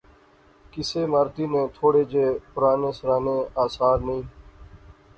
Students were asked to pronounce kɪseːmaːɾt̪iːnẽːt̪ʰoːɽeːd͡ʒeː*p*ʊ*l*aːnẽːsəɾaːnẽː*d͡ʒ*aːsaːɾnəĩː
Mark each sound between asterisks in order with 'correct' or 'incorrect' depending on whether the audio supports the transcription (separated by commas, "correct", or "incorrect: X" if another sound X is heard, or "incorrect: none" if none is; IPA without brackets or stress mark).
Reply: correct, incorrect: ɾ, incorrect: none